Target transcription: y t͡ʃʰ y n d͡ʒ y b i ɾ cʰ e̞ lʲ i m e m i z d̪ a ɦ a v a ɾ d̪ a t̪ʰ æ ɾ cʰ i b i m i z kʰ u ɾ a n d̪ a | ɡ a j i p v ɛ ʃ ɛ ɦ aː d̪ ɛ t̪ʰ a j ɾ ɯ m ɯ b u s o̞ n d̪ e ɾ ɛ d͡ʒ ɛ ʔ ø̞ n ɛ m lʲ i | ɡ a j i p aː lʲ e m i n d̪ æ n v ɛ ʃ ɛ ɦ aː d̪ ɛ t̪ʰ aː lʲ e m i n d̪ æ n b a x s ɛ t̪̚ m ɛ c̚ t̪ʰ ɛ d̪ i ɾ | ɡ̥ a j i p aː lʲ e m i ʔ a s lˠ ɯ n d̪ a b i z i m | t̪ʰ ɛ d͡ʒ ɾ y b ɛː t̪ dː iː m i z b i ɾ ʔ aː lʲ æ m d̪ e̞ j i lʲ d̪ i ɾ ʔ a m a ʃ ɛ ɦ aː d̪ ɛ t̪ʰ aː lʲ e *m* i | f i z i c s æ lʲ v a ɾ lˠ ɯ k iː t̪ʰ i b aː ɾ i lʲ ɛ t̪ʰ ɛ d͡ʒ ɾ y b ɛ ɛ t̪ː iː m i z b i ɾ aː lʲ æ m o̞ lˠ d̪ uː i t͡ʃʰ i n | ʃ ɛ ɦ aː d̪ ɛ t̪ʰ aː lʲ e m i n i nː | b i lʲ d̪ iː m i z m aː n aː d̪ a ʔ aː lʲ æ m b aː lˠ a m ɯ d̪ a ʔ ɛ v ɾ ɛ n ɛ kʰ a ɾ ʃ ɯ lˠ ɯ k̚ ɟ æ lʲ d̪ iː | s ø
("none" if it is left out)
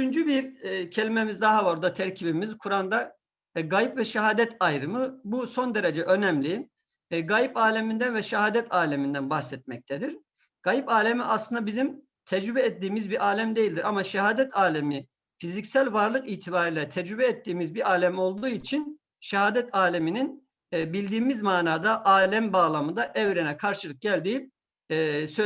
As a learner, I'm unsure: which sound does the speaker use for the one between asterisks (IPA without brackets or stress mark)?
m